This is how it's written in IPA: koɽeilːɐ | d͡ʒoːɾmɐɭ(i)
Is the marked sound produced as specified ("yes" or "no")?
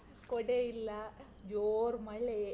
no